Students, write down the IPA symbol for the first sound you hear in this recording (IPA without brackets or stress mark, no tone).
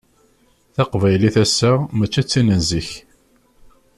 θ